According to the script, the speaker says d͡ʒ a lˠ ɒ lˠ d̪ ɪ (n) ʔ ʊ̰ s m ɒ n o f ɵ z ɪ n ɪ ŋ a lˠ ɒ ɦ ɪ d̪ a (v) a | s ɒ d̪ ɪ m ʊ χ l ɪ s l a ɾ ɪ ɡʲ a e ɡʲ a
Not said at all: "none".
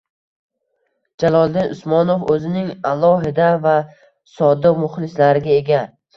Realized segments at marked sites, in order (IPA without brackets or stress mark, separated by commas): n, v